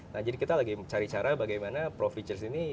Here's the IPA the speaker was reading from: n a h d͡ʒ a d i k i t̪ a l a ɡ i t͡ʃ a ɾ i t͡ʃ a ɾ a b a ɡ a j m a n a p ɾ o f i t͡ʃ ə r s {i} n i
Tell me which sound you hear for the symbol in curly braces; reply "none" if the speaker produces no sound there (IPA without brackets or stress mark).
i